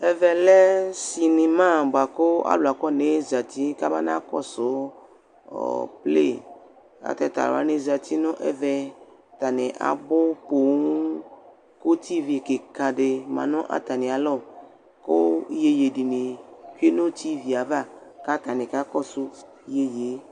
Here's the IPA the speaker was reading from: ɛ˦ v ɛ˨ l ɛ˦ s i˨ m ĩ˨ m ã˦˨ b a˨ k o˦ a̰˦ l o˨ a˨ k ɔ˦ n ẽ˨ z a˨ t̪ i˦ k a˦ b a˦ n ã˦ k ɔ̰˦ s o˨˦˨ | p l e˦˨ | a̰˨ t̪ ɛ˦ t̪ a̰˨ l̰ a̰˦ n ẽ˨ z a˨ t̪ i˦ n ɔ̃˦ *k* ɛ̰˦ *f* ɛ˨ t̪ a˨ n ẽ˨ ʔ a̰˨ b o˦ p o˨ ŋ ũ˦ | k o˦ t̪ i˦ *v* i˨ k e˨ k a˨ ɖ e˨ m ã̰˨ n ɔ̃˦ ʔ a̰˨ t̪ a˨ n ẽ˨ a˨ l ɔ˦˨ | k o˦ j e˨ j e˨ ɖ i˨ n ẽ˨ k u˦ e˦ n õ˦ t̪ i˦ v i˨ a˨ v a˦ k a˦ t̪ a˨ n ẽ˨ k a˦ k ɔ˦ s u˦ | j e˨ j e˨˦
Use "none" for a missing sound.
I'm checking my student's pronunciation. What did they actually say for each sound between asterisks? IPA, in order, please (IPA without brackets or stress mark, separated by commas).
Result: ʔ, v, v